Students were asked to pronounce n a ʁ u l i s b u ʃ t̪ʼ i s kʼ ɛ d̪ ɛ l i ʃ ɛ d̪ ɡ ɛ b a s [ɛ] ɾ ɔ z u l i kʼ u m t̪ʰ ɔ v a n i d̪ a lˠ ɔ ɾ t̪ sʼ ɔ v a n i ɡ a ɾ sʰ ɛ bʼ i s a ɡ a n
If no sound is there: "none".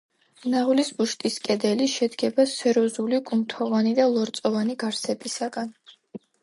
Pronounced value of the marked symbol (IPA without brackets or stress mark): ɛ